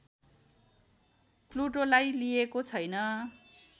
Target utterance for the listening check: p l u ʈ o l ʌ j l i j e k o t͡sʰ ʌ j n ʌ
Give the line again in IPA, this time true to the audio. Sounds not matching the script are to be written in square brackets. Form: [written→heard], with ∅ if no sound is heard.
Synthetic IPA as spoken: p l u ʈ o l [ʌ→a] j l i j e k o t͡sʰ ʌ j n ʌ